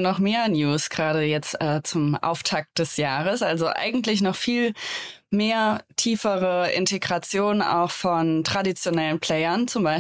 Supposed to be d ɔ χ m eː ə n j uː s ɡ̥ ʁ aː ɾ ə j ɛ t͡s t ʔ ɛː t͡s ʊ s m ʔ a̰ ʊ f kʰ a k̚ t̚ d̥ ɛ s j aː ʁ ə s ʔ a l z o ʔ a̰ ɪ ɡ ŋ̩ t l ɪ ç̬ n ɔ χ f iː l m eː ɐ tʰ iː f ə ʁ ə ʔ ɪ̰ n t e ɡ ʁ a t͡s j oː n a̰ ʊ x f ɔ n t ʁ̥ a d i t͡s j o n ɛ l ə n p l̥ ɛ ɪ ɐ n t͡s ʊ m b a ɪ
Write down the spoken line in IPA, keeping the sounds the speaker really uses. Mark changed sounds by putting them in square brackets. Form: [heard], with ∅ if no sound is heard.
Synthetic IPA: [n] ɔ χ m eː [ɐ] n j uː s ɡ̥ ʁ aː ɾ ə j ɛ t͡s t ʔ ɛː t͡s ʊ [∅] m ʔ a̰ ʊ f [tʰ] a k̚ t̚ d̥ ɛ s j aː ʁ ə s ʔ a l z o ʔ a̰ ɪ ɡ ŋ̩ t l ɪ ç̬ n ɔ χ f iː l m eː ɐ tʰ iː f ə ʁ ə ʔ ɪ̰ n t e ɡ ʁ a t͡s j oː n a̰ ʊ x f ɔ n t ʁ̥ a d i t͡s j o n ɛ l ə n p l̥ ɛ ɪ ɐ n t͡s ʊ m b a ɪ